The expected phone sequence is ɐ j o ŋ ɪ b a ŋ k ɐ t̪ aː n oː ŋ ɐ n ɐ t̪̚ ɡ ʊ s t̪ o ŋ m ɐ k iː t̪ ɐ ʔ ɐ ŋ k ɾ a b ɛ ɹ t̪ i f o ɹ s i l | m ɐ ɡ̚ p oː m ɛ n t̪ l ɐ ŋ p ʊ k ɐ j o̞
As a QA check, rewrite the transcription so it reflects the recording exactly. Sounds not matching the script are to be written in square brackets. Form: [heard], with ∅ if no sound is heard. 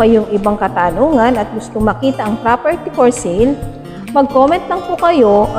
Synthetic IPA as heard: ɐ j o ŋ ɪ b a ŋ k ɐ t̪ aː n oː ŋ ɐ n ɐ t̪̚ ɡ ʊ s t̪ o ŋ m ɐ k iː t̪ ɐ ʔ ɐ ŋ [p] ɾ a [p] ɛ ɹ t̪ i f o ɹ s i l | m ɐ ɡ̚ [k] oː m ɛ n t̪ l ɐ ŋ p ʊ k ɐ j o̞